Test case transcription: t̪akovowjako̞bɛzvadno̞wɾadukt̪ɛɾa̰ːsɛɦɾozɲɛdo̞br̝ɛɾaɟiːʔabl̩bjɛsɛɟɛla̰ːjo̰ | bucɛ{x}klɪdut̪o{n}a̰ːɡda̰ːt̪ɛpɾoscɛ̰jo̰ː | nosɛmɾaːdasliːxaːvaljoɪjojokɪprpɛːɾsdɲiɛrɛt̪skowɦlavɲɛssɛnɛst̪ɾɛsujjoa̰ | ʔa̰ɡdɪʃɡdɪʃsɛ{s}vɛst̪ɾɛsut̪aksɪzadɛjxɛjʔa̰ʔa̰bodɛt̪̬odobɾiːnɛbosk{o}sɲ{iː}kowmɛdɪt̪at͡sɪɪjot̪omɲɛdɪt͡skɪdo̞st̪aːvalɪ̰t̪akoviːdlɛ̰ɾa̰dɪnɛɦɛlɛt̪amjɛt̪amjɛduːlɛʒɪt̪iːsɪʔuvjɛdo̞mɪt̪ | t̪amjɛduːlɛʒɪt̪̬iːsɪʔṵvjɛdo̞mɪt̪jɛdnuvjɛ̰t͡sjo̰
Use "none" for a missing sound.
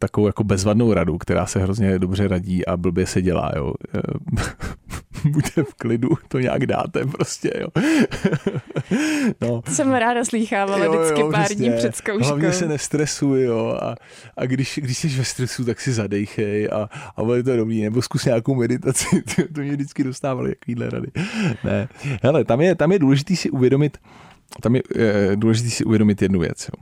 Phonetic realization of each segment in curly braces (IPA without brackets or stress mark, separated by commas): f, ɲ, ʃ, u, aː